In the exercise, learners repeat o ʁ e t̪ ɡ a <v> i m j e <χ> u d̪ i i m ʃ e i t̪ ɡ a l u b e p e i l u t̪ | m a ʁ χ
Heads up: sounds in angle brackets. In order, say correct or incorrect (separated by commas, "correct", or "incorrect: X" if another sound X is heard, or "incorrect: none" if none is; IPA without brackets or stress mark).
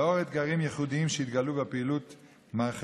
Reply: incorrect: ʁ, correct